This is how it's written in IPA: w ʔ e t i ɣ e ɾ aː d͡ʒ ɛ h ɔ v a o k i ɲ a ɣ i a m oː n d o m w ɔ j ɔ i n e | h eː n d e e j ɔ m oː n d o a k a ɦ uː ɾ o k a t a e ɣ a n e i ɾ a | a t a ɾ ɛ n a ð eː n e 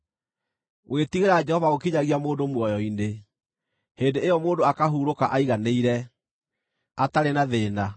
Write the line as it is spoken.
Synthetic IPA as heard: w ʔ e t i ɣ e ɾ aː d͡ʒ ɛ h ɔ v a o k i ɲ a ɣ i a m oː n d o m w ɔ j ɔ i n e | h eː n d e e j ɔ m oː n d o a k a ɦ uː ɾ o k a ʔ a i ɣ a n e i ɾ ɛ | a t a ɾ e n a ð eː n a